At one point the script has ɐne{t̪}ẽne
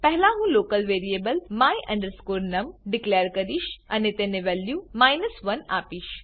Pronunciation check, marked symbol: correct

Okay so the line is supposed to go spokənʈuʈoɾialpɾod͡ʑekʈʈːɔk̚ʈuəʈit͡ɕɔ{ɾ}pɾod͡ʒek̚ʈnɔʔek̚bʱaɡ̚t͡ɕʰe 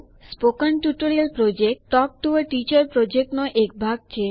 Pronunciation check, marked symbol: correct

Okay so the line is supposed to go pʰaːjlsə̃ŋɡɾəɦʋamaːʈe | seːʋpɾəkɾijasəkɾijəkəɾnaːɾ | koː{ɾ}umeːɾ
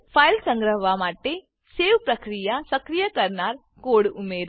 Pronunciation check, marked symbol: incorrect: ɽ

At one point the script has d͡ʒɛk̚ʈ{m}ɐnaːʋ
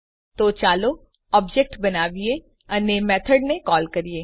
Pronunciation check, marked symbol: incorrect: b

